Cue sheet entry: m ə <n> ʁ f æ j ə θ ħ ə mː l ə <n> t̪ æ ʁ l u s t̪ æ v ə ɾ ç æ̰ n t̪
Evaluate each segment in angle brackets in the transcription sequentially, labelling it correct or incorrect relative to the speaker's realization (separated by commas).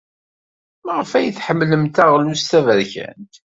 incorrect, incorrect